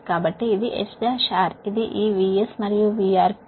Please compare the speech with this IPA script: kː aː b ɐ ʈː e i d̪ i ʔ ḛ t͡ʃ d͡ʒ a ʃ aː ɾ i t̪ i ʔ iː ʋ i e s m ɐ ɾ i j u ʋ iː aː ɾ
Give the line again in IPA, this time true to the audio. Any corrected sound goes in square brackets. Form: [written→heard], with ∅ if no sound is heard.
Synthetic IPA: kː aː b ɐ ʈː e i d̪ i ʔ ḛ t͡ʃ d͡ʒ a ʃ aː ɾ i [t̪→d̪] i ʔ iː ʋ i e s m ɐ ɾ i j u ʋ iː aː ɾ